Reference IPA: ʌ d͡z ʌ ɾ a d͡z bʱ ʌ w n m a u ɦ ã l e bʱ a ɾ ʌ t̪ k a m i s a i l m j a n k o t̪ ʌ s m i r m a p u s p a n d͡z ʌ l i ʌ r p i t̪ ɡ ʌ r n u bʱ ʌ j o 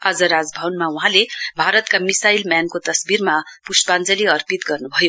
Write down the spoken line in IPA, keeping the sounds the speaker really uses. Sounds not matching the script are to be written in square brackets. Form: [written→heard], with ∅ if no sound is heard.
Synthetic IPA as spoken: ʌ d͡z ʌ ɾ a d͡z bʱ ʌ w n m a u ɦ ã l e bʱ a ɾ ʌ t̪ k a m i s a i l m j a n k o t̪ ʌ s [m→b] i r m a p u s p a n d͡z ʌ l i ʌ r p i t̪ ɡ ʌ r n u bʱ ʌ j o